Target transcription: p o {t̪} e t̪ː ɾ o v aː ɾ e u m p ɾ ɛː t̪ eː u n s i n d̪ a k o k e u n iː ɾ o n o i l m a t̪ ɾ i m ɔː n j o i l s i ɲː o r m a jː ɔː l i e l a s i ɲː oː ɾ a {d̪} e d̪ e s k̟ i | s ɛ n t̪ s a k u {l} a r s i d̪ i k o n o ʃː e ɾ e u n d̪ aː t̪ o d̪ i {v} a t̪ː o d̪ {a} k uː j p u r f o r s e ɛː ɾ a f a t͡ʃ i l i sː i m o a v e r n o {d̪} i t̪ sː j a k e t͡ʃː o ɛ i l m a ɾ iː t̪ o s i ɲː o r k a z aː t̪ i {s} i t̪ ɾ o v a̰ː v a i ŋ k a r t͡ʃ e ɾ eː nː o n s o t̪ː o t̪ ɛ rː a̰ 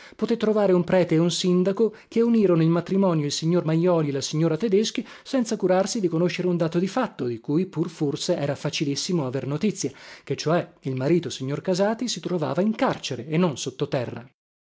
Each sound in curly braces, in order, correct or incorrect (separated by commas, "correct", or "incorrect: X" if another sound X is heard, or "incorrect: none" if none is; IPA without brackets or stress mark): correct, incorrect: t̪, incorrect: ɾ, incorrect: f, incorrect: i, incorrect: t̪, correct